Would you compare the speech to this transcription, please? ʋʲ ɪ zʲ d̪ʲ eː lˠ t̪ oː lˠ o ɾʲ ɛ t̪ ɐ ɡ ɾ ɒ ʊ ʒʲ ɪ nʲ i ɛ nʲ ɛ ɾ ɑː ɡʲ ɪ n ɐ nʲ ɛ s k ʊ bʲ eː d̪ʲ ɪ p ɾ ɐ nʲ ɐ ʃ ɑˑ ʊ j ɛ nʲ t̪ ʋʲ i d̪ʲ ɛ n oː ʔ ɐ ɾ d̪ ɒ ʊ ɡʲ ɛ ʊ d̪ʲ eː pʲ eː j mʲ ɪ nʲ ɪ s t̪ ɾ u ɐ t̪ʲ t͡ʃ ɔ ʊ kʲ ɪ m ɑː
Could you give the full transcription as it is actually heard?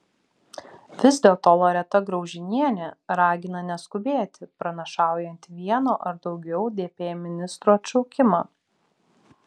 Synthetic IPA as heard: ʋʲ ɪ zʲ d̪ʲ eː lˠ t̪ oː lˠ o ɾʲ ɛ t̪ ɐ ɡ ɾ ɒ ʊ ʒʲ ɪ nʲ i ɛ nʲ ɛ ɾ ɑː ɡʲ ɪ n ɐ nʲ ɛ s k ʊ bʲ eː t̪ʲ ɪ p ɾ ɐ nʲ ɐ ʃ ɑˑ ʊ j ɛ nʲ t̪ ʋʲ i ɛ n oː ʔ ɐ ɾ d̪ ɒ ʊ ɡʲ ɛ ʊ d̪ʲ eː pʲ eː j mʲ ɪ nʲ ɪ s t̪ ɾ u ɐ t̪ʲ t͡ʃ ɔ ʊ kʲ ɪ m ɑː

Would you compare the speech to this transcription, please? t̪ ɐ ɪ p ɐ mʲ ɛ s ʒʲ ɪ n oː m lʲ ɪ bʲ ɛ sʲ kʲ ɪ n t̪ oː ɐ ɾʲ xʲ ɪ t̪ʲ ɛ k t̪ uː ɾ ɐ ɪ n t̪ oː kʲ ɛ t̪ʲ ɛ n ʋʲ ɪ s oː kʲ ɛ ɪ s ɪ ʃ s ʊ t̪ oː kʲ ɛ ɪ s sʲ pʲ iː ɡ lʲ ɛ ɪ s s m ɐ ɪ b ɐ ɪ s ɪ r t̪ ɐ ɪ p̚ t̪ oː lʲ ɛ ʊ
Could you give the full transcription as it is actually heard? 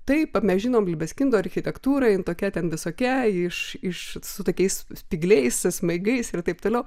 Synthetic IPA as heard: t̪ ɐ ɪ p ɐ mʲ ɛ s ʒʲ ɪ n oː m lʲ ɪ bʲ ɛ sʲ kʲ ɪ n d̪ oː ɐ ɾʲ xʲ ɪ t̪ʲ ɛ k t̪ uː ɾ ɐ ɪ n t̪ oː kʲ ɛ t̪ʲ ɛ n ʋʲ ɪ s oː kʲ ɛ ɪ ʃ ɪ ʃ s ʊ t̪ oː kʲ ɛ ɪ s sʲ pʲ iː ɡ lʲ ɛ ɪ s s m ɐ ɪ ɡ ɐ ɪ s ɪ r t̪ ɐ ɪ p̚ t̪ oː lʲ ɛ ʊ

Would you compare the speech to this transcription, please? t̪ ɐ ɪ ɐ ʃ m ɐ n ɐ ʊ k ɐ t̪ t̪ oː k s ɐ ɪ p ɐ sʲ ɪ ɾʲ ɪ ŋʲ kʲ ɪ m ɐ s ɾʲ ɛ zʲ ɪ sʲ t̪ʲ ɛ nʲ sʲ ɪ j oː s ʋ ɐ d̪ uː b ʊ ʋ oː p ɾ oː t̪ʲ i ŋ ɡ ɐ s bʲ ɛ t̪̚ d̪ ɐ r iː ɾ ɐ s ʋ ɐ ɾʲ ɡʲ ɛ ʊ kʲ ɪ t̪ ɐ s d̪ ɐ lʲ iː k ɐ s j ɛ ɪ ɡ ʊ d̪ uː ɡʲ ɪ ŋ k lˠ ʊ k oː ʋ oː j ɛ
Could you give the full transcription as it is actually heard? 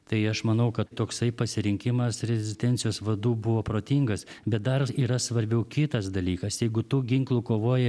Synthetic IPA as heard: t̪ ɐ ɪ ɐ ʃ m ɐ n ɐ ʊ k ɐ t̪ t̪ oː k s ɐ ɪ p ɐ sʲ ɪ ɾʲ ɪ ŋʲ kʲ ɪ m ɐ s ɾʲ ɛ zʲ ɪ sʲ t̪ʲ ɛ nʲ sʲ ɪ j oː s ʋ ɐ d̪ uː b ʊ ʋ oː p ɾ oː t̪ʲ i ŋ ɡ ɐ s bʲ ɛ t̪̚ d̪ ɐ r iː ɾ ɐ s ʋ ɐ ɾʲ bʲ ɛ ʊ kʲ ɪ t̪ ɐ s d̪ ɐ lʲ iː k ɐ s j ɛ ɪ ɡ ʊ t̪ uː ɡʲ ɪ ŋ k lˠ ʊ k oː ʋ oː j ɛ

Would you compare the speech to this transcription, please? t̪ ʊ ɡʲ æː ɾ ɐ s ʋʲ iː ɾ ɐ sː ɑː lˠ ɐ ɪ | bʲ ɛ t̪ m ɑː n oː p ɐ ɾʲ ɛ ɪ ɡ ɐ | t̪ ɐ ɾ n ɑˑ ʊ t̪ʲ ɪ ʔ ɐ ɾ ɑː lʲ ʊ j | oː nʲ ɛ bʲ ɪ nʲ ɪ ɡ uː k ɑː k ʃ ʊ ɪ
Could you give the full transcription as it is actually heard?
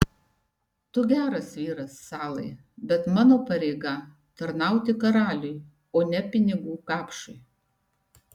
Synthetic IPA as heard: t̪ ʊ ɡʲ æː ɾ ɐ s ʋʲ iː ɾ ɐ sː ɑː lˠ ɐ ɪ | bʲ ɛ t̪ m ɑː n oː p ɐ ɾʲ ɛ ɪ ɡ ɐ | t̪ ɐ ɾ n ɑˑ ʊ t̪ʲ ɪ k ɐ ɾ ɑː lʲ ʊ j | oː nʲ ɛ pʲ ɪ nʲ ɪ ɡ uː k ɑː p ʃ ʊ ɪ

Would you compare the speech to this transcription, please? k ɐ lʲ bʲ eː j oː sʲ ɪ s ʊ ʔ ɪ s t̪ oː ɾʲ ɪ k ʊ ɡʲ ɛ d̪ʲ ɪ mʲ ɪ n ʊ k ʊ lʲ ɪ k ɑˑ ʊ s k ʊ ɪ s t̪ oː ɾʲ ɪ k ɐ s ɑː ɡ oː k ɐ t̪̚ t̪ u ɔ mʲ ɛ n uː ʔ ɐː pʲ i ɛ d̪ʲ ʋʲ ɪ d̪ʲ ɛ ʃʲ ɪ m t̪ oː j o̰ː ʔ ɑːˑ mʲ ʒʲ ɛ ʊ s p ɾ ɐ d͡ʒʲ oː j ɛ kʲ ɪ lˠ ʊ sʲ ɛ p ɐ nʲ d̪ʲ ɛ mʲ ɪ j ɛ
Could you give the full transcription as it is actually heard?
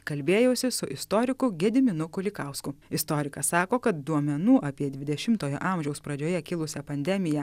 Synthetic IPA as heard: k ɐ lʲ bʲ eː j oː sʲ ɪ s ʊ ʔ ɪ s t̪ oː ɾʲ ɪ k ʊ ɡʲ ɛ d̪ʲ ɪ mʲ ɪ n ʊ k ʊ lʲ ɪ k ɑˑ ʊ s k ʊ ɪ s t̪ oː ɾʲ ɪ k ɐ s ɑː k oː k ɐ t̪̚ d̪ u ɔ mʲ ɛ n uː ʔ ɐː pʲ i ɛ d̪ʲ ʋʲ ɪ d̪ʲ ɛ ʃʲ ɪ m t̪ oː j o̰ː ʔ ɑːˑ mʲ ʒʲ ɛ ʊ s p ɾ ɐ d͡ʒʲ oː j ɛ kʲ ɪ lˠ ʊ sʲ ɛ p ɐ nʲ d̪ʲ ɛ mʲ ɪ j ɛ

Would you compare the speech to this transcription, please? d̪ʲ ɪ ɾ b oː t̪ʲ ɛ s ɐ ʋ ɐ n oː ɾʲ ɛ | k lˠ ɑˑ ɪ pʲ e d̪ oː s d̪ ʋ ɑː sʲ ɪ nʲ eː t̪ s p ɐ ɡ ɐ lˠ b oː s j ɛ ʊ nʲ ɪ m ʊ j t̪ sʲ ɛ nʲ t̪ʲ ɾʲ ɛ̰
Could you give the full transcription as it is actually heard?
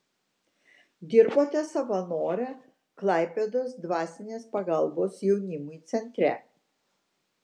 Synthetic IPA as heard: d̪ʲ ɪ ɾ b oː t̪ʲ ɛ s ɐ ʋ ɐ n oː ɾʲ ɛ | k lˠ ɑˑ ɪ pʲ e d̪ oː s d̪ ʋ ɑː sʲ ɪ nʲ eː s p ɐ ɡ ɐ lˠ b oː s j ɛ ʊ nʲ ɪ m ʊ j t̪ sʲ ɛ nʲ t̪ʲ ɾʲ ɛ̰

